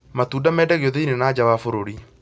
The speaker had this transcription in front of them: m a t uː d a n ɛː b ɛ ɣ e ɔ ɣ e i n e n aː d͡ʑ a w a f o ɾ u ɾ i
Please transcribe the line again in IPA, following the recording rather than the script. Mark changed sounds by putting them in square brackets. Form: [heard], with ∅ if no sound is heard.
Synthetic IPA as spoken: m a t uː d a [m] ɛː [d] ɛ ɣ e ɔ [ð] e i n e n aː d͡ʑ a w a f o ɾ [o] ɾ i